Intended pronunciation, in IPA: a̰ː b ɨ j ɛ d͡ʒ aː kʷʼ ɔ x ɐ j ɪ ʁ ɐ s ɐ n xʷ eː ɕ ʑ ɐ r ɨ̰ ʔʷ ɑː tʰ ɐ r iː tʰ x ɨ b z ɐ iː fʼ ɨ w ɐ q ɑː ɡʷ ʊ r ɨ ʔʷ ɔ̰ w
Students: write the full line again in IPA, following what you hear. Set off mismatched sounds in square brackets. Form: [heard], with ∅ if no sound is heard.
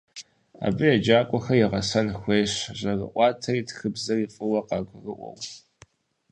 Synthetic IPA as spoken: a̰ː b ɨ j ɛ d͡ʒ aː kʷʼ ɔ x ɐ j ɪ ʁ ɐ s ɐ n xʷ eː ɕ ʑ ɐ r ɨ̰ ʔʷ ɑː tʰ ɐ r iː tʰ x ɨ b z ɐ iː fʼ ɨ w ɐ q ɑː ɡʷ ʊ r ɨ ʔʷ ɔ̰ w